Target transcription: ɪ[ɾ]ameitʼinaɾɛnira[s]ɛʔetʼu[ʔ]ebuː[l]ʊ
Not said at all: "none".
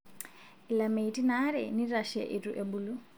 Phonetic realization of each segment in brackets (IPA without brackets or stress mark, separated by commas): l, ʃ, ʔ, l